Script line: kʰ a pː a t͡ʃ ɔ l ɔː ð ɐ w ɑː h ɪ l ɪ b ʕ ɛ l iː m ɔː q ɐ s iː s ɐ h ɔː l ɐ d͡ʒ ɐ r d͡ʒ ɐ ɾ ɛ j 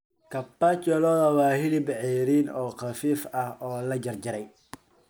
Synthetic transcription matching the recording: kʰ ɐ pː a t͡ʃ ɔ l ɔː ð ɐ w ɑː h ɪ l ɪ b ʕ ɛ ɾ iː n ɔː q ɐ f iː f ɐ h ɔː l ɐ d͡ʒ ɐ r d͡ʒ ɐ ɾ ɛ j